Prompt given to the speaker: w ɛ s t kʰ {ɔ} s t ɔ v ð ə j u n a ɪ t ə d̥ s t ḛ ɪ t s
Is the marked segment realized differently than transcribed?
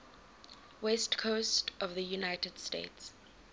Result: yes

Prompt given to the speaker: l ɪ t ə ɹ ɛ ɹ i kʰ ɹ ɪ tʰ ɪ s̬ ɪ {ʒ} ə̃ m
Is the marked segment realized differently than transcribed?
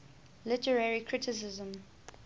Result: yes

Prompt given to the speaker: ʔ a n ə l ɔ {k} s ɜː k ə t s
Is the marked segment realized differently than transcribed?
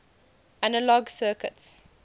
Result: yes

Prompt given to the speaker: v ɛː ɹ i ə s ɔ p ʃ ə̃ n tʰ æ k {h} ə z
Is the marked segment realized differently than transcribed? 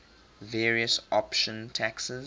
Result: yes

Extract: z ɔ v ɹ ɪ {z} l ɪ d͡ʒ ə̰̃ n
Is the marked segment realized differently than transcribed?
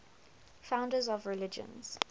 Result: yes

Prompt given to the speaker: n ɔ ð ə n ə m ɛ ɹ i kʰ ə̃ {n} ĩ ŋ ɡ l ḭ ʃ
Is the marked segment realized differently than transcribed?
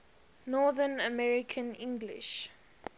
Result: no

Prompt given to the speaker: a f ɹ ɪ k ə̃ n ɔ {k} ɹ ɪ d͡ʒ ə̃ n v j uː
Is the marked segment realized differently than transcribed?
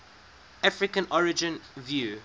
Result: yes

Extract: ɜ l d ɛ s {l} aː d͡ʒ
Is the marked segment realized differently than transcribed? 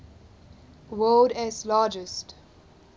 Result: no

